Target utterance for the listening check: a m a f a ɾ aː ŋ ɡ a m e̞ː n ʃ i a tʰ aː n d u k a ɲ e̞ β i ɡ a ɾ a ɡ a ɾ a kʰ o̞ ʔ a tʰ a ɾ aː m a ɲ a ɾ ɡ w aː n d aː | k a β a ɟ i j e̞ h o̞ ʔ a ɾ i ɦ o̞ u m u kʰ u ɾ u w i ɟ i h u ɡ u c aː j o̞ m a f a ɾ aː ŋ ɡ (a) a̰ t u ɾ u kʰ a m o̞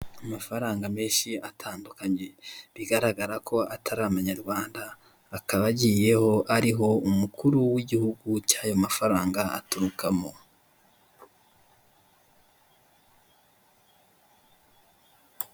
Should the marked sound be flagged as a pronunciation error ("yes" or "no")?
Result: no